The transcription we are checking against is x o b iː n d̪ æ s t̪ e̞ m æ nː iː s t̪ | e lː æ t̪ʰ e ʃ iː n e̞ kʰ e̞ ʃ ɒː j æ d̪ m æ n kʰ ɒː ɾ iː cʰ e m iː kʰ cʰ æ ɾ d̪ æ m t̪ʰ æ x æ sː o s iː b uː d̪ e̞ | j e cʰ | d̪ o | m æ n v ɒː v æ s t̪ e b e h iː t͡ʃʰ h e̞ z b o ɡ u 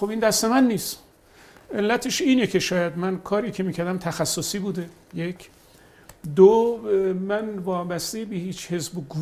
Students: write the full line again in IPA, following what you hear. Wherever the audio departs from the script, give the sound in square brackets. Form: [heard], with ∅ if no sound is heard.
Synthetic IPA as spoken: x o b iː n d̪ æ s t̪ e̞ m æ nː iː s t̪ | e lː æ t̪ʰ e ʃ iː n e̞ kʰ e̞ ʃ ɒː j æ d̪ m æ n kʰ ɒː ɾ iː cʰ e m iː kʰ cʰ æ ɾ d̪ æ m t̪ʰ æ x æ sː o s iː b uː d̪ e̞ | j e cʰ | d̪ o | m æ n v ɒː [b] æ s t̪ e b e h iː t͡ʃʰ h e̞ z b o ɡ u